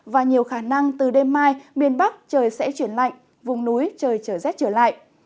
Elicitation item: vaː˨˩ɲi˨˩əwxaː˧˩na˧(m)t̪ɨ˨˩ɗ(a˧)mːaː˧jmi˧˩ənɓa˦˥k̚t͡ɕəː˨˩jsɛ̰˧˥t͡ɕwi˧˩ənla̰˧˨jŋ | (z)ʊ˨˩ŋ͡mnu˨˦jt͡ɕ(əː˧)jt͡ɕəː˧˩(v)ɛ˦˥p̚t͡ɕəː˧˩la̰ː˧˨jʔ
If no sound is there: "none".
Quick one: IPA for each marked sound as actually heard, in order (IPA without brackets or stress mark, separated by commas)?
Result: ŋ, e˧, v, əː˨˩, z